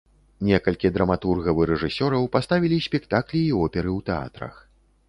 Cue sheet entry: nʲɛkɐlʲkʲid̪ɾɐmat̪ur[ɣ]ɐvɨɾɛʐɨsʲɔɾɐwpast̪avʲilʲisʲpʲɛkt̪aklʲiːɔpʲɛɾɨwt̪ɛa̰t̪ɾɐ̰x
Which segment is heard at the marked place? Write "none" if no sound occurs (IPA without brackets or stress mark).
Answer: ɣ